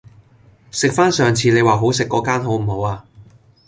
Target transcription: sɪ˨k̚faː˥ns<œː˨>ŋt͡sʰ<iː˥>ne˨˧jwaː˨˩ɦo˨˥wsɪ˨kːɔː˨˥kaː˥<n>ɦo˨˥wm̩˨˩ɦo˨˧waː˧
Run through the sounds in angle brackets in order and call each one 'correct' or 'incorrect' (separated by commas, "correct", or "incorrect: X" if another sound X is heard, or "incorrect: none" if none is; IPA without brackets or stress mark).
correct, incorrect: iː˨˧, correct